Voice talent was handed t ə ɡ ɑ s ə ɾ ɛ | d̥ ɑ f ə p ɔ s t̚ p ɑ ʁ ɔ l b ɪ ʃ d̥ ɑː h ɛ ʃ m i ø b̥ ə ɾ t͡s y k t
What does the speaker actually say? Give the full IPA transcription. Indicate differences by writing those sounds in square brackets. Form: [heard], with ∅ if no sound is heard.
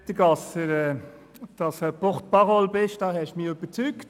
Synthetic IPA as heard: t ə ɡ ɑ s ə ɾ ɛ | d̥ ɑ [s] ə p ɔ [χ] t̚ p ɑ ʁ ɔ l b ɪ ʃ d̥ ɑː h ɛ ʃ m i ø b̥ ə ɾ t͡s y k t